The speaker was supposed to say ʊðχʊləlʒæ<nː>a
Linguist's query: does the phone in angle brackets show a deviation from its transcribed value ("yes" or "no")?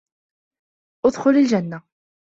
no